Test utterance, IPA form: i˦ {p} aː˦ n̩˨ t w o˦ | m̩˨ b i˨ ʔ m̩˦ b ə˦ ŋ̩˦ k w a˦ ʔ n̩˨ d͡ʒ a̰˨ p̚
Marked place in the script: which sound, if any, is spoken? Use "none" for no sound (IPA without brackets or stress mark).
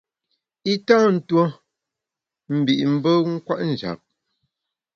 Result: t